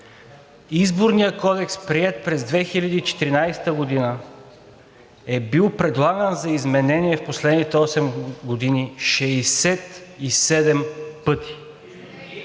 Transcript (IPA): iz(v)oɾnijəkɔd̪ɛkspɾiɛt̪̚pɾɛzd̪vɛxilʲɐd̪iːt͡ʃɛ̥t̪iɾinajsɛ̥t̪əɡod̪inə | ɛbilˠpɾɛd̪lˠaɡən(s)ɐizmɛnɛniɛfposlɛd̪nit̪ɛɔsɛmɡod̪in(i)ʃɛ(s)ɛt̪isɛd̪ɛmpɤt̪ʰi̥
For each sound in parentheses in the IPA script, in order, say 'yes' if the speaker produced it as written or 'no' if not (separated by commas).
no, no, yes, yes